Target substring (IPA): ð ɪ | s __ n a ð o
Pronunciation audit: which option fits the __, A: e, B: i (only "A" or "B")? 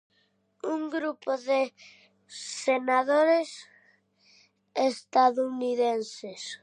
A